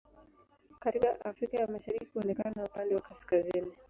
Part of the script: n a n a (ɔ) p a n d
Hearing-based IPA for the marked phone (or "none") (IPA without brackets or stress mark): u